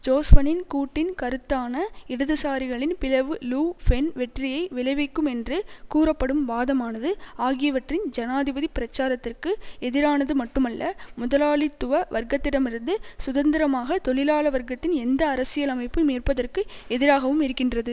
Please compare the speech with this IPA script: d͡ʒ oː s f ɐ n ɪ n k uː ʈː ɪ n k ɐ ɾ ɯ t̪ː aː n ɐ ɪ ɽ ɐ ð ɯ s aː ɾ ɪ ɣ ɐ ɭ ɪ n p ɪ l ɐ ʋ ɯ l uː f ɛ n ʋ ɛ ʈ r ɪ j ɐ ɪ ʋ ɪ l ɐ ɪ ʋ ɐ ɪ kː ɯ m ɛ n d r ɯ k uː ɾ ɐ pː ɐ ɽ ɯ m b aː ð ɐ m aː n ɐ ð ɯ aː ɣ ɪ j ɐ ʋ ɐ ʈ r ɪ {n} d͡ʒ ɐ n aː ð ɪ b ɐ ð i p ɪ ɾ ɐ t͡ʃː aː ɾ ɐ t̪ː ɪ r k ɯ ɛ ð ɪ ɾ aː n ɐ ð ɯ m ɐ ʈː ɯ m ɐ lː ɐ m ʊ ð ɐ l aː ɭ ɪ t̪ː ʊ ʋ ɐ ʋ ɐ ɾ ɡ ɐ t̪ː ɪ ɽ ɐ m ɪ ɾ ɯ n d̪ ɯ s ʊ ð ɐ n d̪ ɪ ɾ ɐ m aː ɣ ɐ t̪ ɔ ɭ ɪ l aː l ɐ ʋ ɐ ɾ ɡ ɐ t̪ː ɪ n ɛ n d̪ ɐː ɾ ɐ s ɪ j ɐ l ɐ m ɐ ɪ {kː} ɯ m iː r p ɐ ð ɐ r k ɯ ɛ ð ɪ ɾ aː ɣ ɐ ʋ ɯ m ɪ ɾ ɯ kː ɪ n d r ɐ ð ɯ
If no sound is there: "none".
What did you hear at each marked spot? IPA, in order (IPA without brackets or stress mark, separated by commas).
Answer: n, pː